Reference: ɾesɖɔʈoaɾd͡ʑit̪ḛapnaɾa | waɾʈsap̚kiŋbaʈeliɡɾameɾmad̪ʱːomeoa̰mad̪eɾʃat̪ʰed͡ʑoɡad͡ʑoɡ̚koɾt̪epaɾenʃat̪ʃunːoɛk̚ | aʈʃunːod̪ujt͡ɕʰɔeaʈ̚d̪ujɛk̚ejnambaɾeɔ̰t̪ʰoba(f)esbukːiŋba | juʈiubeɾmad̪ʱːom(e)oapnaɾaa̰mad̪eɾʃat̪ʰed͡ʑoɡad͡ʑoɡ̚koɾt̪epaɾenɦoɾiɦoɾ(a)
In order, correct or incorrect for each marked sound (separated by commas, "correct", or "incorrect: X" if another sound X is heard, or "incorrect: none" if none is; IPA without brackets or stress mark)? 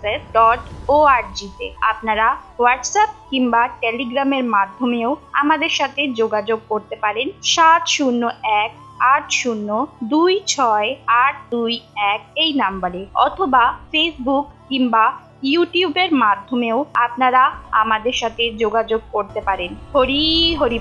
correct, correct, incorrect: i